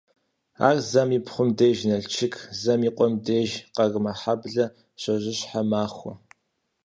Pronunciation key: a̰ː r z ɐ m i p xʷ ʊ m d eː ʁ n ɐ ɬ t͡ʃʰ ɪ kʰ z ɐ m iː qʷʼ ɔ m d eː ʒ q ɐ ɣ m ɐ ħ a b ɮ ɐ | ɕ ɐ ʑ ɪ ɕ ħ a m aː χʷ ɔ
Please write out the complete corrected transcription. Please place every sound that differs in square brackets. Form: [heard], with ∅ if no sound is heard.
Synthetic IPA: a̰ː r z ɐ m i p [χʷ] ʊ m d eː [ʒ] n ɐ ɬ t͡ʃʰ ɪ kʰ z ɐ m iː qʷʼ ɔ m d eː ʒ q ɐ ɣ m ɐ ħ a b ɮ ɐ | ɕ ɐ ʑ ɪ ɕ ħ a m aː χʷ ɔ